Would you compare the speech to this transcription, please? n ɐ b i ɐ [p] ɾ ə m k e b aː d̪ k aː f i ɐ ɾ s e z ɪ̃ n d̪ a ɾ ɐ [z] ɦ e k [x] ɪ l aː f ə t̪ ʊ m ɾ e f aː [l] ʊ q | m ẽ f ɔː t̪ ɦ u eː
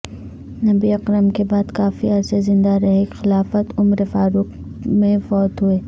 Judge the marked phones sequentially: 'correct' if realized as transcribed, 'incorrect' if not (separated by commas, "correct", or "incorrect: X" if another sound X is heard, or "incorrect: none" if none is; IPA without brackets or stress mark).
incorrect: q, incorrect: none, correct, incorrect: ɾ